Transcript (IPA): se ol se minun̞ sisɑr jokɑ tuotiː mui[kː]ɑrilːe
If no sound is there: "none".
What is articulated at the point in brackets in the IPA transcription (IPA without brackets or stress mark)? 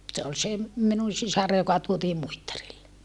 tː